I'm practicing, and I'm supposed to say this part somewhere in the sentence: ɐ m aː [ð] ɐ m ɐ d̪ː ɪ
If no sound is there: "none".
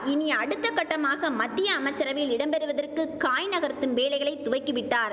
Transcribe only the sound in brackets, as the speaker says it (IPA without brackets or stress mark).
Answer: ɣ